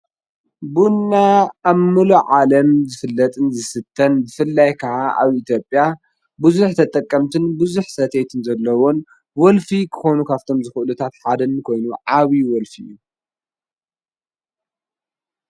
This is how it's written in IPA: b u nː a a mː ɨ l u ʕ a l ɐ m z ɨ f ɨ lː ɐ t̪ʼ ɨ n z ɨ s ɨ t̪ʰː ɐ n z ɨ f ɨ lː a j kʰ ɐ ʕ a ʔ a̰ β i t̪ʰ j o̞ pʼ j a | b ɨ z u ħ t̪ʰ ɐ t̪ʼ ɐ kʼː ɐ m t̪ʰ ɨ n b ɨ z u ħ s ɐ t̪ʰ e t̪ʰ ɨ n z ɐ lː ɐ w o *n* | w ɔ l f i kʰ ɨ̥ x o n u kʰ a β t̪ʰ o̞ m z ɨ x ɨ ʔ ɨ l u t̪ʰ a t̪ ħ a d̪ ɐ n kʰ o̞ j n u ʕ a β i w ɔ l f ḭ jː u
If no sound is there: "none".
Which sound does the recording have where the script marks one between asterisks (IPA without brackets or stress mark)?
n